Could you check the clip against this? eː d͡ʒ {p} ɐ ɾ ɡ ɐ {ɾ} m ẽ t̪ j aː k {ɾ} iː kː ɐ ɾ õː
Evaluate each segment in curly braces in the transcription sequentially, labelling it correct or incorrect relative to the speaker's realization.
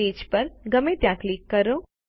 correct, incorrect, incorrect

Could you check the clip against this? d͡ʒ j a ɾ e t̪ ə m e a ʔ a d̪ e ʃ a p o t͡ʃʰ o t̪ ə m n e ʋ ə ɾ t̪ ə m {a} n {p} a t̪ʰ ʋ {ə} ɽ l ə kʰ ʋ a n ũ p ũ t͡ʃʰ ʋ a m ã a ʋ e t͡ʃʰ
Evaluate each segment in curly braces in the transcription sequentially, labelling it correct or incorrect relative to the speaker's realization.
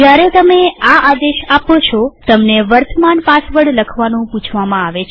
correct, correct, correct

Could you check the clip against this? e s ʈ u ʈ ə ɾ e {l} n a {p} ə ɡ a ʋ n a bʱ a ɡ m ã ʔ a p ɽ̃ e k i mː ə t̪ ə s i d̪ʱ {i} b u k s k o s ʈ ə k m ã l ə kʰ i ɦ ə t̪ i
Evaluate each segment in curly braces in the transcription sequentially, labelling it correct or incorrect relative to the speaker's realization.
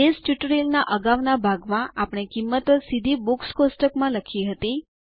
correct, incorrect, correct

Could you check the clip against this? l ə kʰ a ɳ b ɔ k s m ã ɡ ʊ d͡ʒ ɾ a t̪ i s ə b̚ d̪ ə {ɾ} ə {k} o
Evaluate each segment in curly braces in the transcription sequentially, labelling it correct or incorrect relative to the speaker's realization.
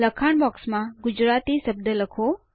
incorrect, incorrect

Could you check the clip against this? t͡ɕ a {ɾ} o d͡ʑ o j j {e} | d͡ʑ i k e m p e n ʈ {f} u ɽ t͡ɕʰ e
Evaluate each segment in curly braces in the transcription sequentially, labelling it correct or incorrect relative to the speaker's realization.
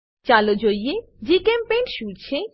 incorrect, correct, incorrect

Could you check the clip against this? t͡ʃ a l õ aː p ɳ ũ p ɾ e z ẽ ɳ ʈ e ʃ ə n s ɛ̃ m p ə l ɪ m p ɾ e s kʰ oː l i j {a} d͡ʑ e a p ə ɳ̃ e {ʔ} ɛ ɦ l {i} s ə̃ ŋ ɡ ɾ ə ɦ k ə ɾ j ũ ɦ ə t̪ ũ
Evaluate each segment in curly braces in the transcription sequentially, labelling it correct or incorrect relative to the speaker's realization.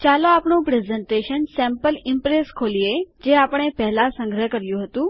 incorrect, incorrect, incorrect

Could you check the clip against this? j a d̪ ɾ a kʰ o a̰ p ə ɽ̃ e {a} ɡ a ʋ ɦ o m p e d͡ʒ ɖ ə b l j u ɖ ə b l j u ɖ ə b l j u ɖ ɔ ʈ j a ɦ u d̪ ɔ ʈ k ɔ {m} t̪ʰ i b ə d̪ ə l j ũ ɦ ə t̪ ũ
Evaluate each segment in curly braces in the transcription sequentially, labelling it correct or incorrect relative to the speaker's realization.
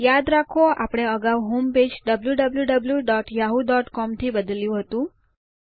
incorrect, correct

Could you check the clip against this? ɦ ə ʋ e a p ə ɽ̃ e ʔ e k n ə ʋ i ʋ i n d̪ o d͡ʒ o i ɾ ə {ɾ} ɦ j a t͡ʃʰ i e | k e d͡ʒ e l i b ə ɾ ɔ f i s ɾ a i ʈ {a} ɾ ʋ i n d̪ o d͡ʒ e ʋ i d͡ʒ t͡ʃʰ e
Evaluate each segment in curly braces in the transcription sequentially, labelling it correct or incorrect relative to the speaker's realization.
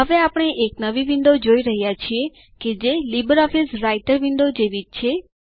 incorrect, incorrect

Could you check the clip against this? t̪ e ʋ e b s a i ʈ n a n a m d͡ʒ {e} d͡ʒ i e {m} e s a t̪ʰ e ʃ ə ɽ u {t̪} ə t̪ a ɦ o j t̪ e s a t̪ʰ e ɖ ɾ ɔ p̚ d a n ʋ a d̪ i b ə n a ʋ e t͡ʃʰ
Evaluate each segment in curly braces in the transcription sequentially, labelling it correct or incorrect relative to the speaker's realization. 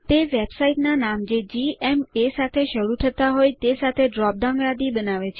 correct, correct, incorrect

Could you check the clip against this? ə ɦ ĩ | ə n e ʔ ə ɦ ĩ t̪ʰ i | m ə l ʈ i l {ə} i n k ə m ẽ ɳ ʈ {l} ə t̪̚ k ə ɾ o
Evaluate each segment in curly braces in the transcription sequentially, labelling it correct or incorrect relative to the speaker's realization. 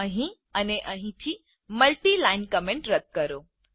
incorrect, incorrect

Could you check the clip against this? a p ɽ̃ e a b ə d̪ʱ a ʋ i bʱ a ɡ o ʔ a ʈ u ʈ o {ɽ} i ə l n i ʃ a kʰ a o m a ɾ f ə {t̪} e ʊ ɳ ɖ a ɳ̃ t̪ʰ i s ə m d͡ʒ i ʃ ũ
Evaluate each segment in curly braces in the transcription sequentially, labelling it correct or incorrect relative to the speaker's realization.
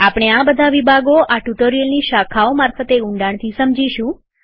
incorrect, correct

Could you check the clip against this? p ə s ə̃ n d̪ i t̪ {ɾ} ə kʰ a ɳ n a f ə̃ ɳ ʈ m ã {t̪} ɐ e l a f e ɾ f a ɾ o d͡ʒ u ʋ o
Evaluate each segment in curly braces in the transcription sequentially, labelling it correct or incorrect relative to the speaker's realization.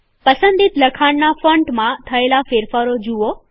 incorrect, incorrect

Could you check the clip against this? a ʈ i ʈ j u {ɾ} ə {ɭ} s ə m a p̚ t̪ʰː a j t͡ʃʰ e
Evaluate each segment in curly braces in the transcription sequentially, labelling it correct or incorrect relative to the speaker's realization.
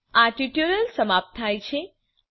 correct, incorrect

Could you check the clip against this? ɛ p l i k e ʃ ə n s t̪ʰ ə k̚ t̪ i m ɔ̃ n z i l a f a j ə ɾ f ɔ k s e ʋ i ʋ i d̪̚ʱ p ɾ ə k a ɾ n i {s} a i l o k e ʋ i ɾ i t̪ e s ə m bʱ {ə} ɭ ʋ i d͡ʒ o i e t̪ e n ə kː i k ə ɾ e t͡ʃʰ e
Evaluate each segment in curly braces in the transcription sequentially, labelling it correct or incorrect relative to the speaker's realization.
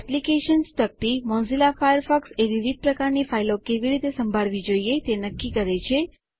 incorrect, incorrect

